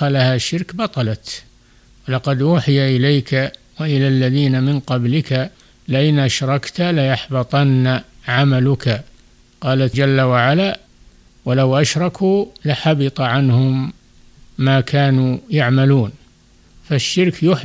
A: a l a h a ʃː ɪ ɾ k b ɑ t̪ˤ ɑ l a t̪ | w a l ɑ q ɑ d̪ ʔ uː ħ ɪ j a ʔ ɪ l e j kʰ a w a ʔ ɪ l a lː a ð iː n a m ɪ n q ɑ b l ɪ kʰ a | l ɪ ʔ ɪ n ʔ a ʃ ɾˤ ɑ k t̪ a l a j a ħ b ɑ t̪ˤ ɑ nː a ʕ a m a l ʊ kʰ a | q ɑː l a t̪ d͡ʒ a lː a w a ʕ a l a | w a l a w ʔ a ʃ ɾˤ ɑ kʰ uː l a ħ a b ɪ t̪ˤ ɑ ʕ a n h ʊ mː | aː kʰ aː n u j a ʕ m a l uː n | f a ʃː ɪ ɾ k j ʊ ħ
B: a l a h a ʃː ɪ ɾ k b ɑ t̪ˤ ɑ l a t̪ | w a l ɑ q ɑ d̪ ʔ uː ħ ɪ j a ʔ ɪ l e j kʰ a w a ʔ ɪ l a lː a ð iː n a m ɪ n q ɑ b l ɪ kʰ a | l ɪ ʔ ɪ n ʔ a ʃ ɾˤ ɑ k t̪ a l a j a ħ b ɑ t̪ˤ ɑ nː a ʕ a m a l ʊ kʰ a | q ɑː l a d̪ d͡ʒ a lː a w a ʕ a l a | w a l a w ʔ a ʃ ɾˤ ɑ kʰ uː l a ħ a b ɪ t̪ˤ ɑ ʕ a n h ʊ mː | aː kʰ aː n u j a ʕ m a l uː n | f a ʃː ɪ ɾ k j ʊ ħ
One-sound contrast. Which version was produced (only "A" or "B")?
A